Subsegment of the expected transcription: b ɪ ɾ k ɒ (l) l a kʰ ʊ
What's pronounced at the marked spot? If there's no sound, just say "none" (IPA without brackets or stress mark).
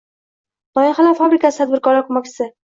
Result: ɾ